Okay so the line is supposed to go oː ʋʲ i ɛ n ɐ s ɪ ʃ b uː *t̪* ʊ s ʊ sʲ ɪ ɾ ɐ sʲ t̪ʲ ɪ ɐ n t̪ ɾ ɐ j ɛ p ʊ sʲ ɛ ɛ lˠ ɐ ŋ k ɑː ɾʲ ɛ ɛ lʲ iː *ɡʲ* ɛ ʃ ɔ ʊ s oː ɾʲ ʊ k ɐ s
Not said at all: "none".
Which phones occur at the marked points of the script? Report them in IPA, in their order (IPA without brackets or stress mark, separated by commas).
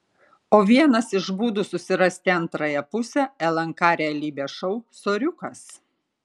d̪, bʲ